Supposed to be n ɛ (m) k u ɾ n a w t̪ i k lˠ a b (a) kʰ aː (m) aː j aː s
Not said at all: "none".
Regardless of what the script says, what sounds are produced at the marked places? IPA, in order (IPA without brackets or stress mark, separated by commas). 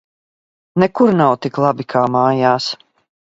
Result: none, i, m